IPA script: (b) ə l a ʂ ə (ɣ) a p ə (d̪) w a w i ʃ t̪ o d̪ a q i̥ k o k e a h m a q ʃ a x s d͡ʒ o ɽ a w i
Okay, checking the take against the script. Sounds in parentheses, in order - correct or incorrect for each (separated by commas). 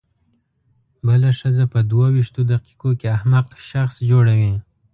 correct, incorrect, correct